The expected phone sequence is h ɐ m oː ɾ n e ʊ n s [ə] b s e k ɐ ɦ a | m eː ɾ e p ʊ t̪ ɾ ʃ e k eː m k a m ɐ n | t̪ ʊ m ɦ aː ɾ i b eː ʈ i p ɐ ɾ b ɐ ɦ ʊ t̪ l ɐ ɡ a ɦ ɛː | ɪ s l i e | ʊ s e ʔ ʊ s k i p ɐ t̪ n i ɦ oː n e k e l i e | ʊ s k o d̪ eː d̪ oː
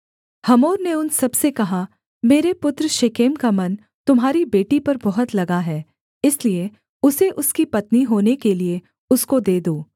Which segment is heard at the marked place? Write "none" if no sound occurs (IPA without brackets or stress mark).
ɐ